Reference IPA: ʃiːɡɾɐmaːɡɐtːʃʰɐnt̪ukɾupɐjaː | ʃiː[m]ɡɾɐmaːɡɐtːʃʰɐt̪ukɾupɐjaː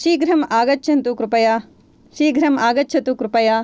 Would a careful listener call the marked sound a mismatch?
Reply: yes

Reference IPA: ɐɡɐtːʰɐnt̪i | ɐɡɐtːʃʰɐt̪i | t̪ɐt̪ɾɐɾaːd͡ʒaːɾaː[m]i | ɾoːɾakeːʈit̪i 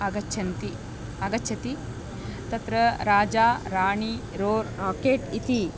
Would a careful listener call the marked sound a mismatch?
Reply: yes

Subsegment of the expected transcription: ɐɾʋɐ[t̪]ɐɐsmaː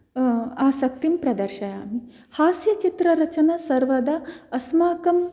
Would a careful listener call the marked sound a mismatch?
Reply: yes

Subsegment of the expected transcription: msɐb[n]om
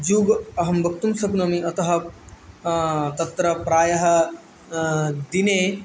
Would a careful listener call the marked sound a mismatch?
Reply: no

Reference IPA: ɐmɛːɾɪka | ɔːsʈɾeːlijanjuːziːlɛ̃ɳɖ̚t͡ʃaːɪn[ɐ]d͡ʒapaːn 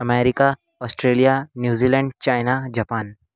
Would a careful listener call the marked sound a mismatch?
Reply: yes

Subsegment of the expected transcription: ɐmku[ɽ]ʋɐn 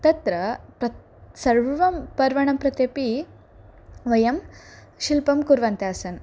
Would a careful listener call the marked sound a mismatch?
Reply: yes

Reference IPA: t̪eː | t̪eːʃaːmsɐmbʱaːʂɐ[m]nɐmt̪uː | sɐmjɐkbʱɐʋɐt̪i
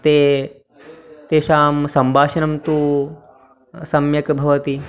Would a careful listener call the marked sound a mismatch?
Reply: yes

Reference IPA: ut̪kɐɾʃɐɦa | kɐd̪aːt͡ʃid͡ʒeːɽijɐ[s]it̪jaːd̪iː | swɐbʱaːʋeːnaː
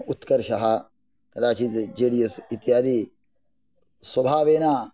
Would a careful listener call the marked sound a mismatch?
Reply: no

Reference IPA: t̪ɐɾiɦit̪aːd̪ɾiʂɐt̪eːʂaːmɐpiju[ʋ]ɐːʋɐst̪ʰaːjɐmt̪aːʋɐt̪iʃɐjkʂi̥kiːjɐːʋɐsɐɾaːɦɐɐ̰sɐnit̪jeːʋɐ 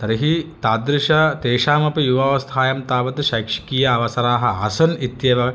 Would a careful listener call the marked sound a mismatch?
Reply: no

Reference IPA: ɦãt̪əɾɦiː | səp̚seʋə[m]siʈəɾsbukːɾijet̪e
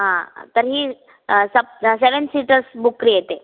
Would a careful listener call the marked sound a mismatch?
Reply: yes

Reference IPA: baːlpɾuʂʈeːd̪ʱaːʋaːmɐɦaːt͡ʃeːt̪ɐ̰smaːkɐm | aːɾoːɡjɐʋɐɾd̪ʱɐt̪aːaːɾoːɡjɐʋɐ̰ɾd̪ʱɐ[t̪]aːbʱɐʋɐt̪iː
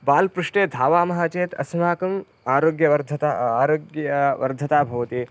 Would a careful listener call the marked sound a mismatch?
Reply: no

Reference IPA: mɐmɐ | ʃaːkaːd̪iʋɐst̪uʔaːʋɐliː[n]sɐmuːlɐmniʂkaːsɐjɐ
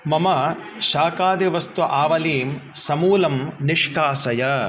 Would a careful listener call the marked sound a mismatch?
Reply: yes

